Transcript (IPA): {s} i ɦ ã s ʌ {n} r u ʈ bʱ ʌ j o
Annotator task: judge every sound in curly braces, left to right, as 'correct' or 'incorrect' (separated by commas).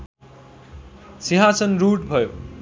correct, correct